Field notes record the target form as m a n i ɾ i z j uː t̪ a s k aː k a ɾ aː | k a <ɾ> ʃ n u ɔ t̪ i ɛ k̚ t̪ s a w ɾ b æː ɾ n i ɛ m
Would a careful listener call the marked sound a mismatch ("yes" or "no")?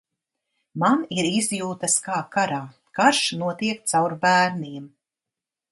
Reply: no